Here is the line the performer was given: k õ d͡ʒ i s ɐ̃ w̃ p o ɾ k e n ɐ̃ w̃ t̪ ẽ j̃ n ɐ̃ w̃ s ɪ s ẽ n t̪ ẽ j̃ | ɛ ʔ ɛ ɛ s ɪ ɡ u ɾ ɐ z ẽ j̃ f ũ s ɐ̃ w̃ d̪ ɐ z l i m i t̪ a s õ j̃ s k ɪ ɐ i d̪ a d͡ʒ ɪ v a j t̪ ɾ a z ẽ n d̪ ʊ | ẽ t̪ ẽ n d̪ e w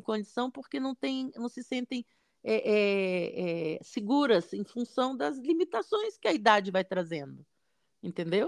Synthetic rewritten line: k õ d͡ʒ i s ɐ̃ w̃ p o ɾ k e n ɐ̃ w̃ t̪ ẽ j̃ n ɐ̃ w̃ s ɪ s ẽ n t̪ ẽ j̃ | ɛ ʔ ɛ ɛ s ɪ ɡ u ɾ ɐ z ẽ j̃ f ũ s ɐ̃ w̃ d̪ ɐ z l i m i t̪ a s õ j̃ s k ɪ ɐ i d̪ a d͡ʒ ɪ v a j t̪ ɾ a z ẽ n d̪ ʊ | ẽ t̪ ẽ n d̪ e w